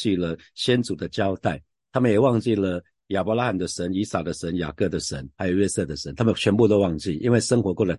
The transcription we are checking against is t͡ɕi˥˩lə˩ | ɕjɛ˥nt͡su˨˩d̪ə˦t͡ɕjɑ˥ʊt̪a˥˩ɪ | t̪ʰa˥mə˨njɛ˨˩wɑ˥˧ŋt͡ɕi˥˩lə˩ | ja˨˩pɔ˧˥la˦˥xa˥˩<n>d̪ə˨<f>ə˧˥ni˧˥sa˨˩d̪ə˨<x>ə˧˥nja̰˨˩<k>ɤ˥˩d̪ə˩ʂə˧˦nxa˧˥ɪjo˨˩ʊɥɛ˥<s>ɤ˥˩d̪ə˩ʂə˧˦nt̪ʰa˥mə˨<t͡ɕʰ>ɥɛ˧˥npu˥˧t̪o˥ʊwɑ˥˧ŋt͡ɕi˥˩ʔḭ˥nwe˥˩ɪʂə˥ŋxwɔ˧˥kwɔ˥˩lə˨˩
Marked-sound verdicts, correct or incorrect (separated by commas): correct, incorrect, incorrect, correct, correct, correct